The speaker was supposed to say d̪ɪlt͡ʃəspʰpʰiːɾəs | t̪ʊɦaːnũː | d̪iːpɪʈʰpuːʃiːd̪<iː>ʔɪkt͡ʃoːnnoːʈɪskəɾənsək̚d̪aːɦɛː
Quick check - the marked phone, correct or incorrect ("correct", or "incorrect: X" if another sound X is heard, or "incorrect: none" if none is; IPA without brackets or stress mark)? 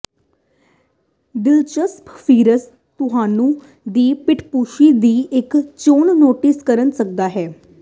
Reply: correct